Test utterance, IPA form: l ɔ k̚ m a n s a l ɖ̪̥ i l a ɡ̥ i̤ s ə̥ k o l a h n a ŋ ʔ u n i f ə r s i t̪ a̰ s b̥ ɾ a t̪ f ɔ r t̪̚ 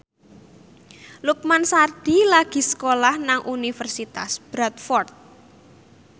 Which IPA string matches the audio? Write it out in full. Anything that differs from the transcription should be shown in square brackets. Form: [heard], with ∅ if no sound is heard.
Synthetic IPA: l [u] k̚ m a n s a [r] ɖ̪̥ i l a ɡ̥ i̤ s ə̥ k o l a h n a ŋ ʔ u n i f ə r s i t̪ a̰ s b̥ ɾ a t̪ f ɔ r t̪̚